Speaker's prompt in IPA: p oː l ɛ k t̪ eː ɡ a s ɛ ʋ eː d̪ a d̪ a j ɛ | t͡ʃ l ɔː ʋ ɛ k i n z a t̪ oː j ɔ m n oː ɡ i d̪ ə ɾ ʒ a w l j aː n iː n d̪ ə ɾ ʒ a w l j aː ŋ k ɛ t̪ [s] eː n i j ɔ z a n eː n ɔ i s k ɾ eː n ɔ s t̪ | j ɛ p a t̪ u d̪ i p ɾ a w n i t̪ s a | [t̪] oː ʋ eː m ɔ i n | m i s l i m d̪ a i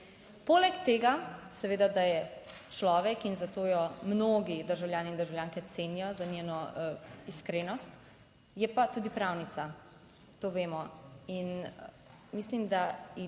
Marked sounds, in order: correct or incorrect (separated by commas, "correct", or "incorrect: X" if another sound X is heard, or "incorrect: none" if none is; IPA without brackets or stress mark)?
correct, correct